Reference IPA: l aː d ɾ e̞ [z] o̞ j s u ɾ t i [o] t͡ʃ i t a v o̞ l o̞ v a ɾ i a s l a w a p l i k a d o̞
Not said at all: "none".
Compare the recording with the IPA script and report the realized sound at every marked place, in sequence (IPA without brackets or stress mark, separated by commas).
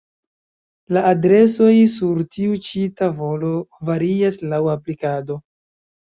s, u